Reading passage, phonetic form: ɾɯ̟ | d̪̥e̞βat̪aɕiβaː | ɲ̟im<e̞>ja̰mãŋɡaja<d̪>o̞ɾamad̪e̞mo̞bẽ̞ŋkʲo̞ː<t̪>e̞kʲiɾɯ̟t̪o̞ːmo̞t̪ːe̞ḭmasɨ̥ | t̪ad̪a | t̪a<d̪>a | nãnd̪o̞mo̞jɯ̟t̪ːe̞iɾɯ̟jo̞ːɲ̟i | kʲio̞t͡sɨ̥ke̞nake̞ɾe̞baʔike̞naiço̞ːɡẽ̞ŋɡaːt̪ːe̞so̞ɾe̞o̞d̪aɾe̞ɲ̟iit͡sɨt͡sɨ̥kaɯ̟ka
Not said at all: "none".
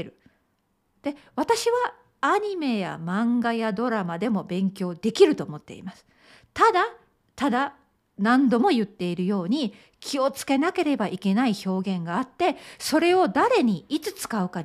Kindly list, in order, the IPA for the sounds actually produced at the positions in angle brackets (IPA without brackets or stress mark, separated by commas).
e̞, d̪, d̪, d̪